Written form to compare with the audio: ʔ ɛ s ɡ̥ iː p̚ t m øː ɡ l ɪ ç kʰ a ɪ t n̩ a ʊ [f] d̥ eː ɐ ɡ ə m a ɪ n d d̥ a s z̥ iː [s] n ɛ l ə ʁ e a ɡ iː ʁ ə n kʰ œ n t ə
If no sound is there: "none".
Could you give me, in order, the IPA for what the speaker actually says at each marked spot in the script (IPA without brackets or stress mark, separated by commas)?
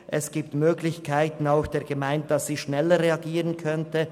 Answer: x, ʃ